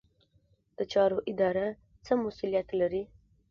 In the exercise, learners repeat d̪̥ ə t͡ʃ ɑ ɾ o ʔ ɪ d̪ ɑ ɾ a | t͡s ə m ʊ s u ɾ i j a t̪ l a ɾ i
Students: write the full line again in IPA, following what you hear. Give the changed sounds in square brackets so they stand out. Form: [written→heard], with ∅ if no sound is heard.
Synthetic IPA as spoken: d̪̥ ə t͡ʃ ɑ ɾ o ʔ ɪ d̪ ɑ ɾ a | t͡s ə m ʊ s u [ɾ→l] i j a t̪ l a ɾ i